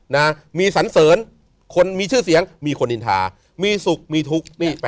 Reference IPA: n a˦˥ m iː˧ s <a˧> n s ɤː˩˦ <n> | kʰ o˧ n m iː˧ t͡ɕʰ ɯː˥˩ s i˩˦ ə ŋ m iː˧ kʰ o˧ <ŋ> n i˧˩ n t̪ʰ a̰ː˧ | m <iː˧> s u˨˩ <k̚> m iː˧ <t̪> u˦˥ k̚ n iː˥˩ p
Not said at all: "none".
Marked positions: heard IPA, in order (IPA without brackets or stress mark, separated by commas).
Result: a˩˦, n, none, iː˧, k̚, t̪ʰ